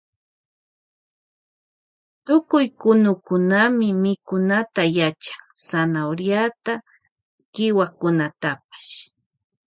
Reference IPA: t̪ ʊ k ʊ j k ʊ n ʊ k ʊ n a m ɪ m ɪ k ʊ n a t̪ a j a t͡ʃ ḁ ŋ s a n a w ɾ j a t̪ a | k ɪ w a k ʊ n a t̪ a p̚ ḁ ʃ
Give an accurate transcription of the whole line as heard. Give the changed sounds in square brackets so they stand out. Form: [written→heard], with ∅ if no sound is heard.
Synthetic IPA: t̪ ʊ k ʊ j k ʊ n ʊ k ʊ n a m ɪ m ɪ k ʊ n a t̪ a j a t͡ʃ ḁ ŋ s a n a w ɾ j a t̪ a | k ɪ w a k ʊ n a t̪ a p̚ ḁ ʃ